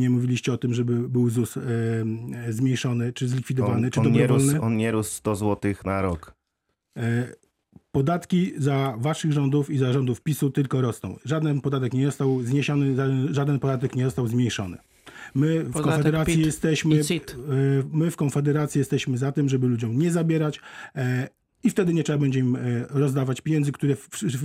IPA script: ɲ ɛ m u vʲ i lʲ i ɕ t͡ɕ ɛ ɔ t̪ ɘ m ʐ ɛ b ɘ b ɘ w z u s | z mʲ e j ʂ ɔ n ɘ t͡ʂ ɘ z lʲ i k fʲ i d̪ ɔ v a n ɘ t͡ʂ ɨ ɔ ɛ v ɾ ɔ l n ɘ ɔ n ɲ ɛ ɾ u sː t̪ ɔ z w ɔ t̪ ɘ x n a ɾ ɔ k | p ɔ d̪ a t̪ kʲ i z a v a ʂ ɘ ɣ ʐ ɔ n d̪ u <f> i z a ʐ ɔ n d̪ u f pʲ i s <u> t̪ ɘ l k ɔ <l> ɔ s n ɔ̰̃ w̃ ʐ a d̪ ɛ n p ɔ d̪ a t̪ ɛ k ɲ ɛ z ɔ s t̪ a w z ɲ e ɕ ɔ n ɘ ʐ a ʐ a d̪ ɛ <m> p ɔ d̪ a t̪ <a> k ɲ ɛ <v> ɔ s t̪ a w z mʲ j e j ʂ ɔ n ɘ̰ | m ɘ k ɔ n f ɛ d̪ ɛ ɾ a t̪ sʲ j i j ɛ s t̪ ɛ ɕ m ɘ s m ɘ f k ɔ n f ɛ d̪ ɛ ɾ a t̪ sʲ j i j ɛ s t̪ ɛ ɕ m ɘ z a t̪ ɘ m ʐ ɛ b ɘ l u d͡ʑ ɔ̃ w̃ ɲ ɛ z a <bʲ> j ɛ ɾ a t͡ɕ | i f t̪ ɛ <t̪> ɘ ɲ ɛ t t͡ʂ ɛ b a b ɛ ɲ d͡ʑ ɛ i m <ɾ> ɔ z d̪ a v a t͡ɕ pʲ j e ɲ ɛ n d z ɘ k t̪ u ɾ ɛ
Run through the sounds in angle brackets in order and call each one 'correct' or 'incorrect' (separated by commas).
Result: correct, correct, incorrect, incorrect, incorrect, incorrect, correct, incorrect, correct